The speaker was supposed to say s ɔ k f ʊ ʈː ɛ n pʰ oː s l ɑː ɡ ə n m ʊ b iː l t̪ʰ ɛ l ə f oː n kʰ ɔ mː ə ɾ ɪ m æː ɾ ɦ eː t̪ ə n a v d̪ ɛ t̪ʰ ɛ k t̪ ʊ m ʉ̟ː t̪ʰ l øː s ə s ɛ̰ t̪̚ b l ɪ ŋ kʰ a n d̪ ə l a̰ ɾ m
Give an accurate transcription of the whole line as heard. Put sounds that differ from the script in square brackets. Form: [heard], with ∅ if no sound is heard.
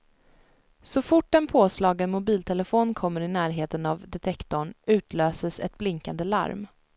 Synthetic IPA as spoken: s ɔ [∅] f ʊ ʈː ɛ n pʰ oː s l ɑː ɡ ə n m ʊ b iː l t̪ʰ ɛ l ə f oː n kʰ ɔ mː ə ɾ ɪ [n] æː ɾ ɦ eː t̪ ə n a v d̪ ɛ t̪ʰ ɛ k t̪ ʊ [ɳ] ʉ̟ː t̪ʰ l øː s ə s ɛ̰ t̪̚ b l ɪ ŋ [k] a n d̪ ə l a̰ ɾ m